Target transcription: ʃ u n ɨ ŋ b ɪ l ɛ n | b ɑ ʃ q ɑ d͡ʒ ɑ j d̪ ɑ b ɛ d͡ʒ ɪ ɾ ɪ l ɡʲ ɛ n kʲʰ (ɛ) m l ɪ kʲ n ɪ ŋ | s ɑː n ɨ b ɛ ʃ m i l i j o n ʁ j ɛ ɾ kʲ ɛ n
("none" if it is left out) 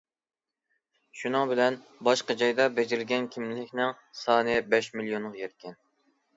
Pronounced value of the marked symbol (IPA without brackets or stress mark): i